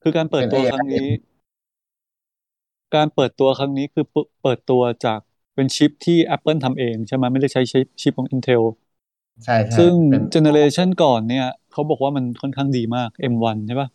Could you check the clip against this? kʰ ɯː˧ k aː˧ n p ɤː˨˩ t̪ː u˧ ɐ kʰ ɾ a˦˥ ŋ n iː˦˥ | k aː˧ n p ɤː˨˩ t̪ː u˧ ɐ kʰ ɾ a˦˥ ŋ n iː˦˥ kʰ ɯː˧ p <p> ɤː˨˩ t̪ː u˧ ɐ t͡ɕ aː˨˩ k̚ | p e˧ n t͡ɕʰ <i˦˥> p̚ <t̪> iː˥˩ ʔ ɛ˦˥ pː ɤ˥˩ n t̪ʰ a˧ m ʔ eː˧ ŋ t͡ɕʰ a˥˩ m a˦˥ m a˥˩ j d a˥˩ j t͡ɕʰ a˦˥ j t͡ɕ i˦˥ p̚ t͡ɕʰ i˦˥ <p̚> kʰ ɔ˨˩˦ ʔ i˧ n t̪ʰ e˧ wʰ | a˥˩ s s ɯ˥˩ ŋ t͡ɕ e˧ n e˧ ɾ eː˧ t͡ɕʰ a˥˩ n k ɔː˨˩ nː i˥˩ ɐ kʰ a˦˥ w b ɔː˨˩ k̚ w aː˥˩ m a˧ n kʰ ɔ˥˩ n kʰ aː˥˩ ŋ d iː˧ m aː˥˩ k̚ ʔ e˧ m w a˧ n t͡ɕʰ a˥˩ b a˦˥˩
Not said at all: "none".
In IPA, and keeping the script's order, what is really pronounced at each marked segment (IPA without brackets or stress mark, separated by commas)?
p, i˦˥, t̪ʰ, p̚